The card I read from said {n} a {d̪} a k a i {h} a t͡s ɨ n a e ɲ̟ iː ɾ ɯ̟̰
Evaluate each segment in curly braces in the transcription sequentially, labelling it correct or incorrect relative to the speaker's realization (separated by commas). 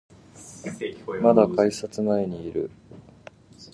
incorrect, correct, incorrect